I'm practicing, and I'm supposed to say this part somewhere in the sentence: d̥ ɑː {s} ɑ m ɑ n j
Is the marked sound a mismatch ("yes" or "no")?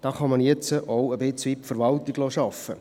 yes